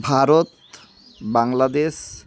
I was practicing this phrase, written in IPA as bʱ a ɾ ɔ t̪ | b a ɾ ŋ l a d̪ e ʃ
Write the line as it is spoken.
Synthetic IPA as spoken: bʱ a ɾ o t̪ | b a ŋ l a d̪ e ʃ